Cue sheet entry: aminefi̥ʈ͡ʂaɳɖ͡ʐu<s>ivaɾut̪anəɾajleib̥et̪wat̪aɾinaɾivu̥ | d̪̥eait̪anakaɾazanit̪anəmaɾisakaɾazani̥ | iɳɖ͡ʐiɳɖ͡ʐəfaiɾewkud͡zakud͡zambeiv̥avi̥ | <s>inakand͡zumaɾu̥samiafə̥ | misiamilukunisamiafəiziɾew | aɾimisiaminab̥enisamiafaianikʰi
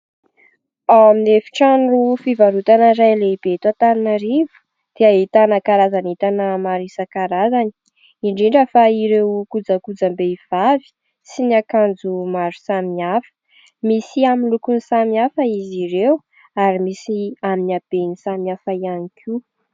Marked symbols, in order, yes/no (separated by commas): no, yes